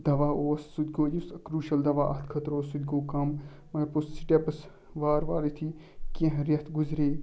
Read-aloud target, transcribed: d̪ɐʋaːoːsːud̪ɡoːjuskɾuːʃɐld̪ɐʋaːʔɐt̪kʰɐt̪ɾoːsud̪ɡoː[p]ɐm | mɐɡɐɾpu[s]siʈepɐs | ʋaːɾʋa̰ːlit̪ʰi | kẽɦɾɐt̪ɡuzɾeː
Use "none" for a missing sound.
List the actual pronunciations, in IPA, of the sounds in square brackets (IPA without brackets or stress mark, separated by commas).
k, s